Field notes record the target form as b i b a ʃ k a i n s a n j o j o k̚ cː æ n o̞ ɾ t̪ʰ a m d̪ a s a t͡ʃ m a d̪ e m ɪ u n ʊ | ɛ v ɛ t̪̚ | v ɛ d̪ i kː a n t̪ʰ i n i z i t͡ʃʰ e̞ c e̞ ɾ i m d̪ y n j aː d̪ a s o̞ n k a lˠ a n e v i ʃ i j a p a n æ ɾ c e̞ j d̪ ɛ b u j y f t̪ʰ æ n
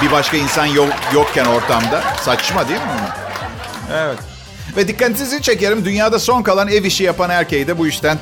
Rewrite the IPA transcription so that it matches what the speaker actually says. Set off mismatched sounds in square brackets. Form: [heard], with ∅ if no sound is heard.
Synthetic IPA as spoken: b i b a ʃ k a i n s a n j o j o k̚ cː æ n o̞ ɾ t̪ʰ a m d̪ a s a t͡ʃ m a d̪ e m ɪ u n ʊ | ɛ v ɛ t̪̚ | v ɛ d̪ i kː a n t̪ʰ i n i z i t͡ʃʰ e̞ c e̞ ɾ i m d̪ y n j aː d̪ a s o̞ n k a lˠ a n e v i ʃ i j a p a n æ ɾ c e̞ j d̪ ɛ b u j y [ʃ] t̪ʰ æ n